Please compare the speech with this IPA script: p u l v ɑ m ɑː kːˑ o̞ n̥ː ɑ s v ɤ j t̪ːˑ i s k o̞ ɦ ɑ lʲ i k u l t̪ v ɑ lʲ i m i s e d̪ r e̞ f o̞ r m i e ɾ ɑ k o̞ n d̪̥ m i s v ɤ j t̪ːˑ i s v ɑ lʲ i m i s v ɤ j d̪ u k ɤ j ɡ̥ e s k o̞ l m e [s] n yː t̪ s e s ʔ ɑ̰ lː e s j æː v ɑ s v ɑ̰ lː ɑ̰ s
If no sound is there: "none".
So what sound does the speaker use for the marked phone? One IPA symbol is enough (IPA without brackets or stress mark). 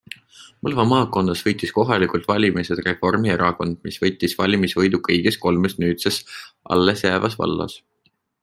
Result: s